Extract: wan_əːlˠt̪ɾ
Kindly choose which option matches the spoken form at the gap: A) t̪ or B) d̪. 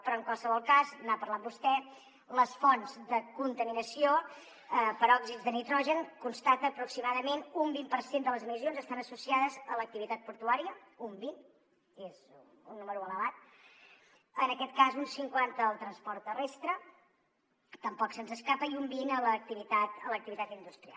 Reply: A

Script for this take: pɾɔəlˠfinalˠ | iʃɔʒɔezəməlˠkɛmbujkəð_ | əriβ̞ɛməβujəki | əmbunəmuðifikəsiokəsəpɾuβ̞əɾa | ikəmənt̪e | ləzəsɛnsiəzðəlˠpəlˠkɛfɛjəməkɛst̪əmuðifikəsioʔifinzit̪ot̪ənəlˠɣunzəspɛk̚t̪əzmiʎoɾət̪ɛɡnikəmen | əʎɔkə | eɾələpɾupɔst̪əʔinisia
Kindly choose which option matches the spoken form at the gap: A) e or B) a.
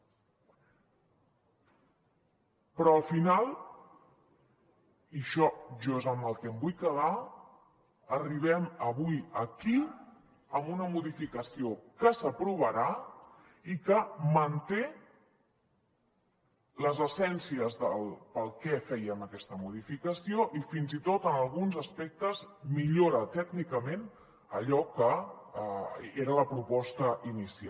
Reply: B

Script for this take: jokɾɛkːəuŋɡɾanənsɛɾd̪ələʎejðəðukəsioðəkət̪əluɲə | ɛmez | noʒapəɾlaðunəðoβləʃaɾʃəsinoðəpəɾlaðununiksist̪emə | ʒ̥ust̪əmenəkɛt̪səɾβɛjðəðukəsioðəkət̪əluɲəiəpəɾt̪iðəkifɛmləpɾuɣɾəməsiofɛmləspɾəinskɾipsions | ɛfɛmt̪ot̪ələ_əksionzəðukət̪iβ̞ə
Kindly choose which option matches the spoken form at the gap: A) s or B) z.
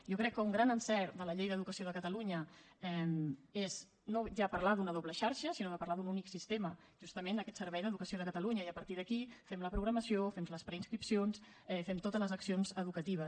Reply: B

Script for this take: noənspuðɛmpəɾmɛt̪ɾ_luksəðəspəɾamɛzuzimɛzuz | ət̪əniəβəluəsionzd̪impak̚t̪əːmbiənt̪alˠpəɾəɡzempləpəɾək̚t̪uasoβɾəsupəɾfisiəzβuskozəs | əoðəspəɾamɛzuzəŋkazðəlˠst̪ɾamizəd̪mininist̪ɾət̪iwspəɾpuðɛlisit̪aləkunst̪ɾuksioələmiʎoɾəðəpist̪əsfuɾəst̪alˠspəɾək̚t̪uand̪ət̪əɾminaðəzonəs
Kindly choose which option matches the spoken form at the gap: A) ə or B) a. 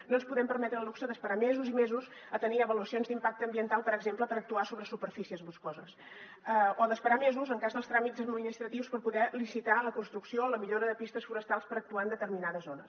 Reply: A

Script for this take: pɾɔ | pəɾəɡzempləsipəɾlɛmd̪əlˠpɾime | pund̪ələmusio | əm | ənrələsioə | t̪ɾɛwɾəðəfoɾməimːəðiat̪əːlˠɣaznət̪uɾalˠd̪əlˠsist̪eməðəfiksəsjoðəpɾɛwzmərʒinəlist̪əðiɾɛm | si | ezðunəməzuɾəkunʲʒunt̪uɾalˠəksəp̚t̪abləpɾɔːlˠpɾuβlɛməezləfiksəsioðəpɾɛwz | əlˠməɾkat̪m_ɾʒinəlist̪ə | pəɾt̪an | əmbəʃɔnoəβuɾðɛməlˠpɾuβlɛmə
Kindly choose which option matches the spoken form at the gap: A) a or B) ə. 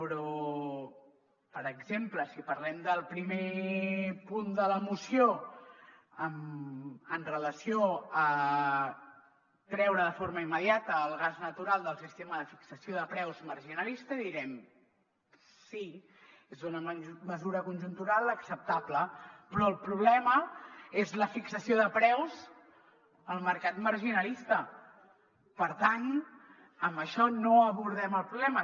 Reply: B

